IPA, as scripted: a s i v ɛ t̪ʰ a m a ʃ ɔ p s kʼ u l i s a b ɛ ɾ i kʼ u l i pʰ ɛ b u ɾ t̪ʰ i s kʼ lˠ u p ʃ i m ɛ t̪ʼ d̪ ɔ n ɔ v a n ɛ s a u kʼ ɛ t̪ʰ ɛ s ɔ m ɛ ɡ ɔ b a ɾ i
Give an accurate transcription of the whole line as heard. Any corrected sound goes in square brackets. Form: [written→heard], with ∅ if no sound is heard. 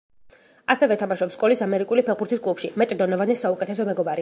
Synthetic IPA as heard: a s [i→ɛ] v ɛ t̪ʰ a m a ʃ ɔ p s kʼ [u→ɔ] l i s a [b→m] ɛ ɾ i kʼ u l i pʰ ɛ b u ɾ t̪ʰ i s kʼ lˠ u p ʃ i m ɛ t̪ʼ d̪ ɔ n ɔ v a n ɛ s a u kʼ ɛ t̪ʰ ɛ s ɔ m ɛ ɡ ɔ b a ɾ i